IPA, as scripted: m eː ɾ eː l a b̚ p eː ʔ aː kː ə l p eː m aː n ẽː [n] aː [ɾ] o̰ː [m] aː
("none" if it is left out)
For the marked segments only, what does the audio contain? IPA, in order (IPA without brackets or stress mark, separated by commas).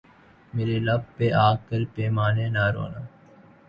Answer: n, ɾ, n